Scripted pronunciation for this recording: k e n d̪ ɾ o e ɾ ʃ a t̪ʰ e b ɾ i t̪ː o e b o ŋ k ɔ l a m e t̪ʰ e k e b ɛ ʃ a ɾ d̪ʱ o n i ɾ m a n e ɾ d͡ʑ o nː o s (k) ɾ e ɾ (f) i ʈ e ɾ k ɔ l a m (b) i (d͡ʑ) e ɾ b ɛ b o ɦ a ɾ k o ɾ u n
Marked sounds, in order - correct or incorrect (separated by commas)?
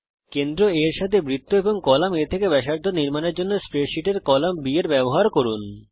incorrect, incorrect, correct, incorrect